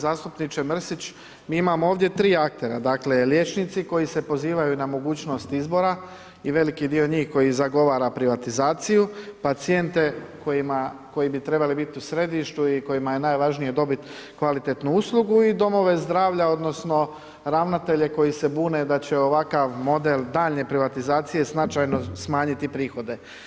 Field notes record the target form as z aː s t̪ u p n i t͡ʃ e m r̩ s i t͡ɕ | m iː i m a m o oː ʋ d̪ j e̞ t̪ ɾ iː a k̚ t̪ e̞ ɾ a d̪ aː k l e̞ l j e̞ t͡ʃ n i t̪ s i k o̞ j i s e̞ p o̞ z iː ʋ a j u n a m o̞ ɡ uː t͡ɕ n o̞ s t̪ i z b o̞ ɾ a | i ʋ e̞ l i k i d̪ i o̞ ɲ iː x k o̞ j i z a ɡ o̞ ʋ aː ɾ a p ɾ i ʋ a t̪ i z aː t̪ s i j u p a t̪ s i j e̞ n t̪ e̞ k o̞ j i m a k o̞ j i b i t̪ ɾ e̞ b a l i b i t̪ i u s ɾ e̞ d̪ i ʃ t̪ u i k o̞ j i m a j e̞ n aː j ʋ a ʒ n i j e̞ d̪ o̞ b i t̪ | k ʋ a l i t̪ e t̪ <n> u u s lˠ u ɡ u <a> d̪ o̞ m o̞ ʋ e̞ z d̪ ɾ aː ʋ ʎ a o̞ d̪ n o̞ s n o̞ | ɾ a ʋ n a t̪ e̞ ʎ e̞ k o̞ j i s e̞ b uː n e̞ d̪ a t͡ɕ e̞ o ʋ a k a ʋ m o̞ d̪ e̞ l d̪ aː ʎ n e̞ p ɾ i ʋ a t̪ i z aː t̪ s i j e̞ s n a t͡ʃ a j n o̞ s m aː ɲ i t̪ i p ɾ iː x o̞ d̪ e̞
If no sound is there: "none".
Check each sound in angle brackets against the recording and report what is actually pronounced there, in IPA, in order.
n, i

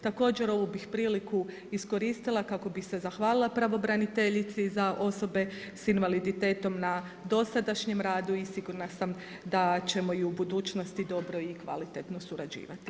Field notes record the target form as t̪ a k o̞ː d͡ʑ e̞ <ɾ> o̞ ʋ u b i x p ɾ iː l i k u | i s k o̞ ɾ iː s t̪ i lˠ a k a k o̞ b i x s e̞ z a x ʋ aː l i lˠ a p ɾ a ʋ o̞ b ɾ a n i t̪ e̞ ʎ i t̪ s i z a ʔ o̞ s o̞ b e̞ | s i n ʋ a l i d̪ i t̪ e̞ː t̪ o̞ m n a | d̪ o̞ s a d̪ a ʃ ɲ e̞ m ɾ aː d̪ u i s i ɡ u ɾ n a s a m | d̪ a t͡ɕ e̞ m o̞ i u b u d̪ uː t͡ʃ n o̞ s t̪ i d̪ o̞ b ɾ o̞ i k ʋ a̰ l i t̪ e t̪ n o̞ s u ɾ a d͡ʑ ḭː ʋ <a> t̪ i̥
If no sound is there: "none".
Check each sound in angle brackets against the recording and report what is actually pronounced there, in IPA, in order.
ɾ, a

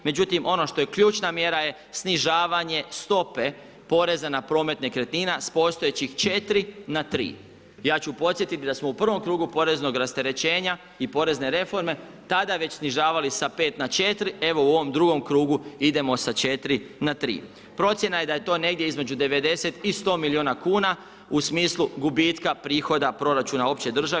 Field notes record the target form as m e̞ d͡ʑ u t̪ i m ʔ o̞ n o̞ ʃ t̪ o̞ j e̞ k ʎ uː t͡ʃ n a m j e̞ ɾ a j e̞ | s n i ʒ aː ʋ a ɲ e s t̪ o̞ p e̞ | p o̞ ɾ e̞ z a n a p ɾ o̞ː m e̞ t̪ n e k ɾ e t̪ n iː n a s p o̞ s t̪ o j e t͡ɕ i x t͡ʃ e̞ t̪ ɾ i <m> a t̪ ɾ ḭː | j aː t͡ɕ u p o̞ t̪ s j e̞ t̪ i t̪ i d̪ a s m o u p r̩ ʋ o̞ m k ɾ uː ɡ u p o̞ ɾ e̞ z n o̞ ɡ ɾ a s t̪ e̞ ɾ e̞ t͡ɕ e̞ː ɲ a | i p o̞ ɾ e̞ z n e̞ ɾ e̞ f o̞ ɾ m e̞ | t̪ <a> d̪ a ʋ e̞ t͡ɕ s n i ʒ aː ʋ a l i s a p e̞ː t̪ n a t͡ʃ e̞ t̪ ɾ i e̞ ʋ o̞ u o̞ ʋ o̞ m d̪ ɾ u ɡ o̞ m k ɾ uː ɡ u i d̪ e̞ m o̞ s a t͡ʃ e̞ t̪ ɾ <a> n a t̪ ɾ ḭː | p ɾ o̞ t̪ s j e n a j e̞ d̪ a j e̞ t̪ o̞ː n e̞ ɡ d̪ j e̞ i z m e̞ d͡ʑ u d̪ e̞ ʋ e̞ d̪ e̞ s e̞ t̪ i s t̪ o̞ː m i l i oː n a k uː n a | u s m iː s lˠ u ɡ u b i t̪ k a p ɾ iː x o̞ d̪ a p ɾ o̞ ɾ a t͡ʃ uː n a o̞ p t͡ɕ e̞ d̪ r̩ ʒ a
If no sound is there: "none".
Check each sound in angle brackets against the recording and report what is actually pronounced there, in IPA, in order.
n, a, i

